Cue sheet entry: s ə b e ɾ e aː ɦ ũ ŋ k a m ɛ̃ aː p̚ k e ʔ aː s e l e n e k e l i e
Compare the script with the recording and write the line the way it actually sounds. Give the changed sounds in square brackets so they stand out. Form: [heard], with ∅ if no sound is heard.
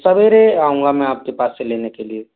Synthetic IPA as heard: s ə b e ɾ e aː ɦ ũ ŋ [ɡ] a m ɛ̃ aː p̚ k e [p] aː s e l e n e k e l i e